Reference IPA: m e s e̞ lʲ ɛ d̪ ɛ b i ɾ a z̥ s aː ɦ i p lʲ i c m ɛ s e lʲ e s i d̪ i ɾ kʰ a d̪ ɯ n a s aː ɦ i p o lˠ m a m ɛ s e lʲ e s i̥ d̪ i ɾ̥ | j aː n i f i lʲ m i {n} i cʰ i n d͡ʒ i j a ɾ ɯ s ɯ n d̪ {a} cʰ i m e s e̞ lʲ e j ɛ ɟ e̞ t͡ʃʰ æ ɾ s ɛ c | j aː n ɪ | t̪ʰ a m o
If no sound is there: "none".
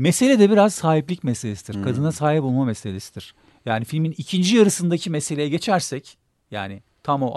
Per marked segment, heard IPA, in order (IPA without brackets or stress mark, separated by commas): n, a